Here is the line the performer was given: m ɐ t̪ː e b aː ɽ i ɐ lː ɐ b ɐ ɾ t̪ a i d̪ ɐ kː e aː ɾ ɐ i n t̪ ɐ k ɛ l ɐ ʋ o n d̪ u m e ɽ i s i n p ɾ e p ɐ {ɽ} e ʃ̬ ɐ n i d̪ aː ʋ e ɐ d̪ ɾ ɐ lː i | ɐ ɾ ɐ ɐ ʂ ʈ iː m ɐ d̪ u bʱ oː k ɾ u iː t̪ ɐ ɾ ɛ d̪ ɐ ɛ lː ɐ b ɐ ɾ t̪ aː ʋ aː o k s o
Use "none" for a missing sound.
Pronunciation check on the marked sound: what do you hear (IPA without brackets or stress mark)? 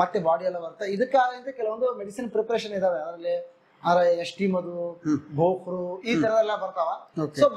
ɾ